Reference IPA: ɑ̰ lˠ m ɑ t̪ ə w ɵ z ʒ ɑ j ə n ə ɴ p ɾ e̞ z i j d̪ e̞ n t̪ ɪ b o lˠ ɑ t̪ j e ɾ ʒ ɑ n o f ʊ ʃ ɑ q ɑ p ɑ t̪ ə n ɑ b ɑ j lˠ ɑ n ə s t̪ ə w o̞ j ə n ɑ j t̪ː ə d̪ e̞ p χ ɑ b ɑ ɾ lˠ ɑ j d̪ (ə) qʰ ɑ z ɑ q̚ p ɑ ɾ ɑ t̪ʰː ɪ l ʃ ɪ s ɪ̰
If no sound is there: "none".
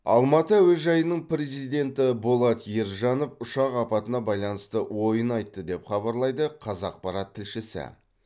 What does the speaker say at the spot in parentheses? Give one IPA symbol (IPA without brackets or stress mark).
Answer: ə